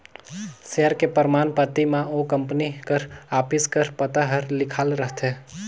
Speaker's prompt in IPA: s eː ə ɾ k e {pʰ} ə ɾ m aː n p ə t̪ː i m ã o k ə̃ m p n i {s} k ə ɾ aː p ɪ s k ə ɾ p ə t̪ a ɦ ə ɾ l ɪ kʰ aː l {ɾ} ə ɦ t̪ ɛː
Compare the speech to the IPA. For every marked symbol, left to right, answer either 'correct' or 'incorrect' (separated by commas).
incorrect, incorrect, correct